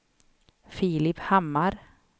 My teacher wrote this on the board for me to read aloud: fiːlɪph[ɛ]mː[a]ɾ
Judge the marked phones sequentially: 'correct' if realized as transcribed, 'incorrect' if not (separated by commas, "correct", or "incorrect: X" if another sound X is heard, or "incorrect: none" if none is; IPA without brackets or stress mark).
incorrect: a, correct